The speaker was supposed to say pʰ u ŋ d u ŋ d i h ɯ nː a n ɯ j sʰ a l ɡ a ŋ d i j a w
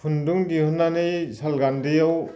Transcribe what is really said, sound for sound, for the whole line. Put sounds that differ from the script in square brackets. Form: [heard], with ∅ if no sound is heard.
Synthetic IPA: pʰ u [n] d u ŋ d i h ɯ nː a n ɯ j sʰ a l ɡ a [n] d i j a w